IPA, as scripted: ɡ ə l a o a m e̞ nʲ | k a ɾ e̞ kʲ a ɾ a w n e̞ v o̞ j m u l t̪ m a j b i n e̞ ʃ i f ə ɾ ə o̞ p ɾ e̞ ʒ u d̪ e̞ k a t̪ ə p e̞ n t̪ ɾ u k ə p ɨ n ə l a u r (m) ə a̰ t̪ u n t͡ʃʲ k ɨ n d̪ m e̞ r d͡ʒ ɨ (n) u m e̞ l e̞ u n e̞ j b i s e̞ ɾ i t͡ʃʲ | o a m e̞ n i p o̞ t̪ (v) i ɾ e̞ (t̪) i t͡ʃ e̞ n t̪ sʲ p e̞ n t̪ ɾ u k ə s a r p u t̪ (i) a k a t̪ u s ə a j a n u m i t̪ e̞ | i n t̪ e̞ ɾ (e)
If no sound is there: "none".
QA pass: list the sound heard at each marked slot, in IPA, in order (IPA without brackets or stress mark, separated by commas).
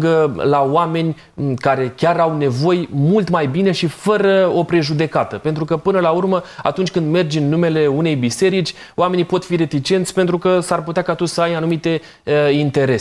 m, nː, f, t̪, e, e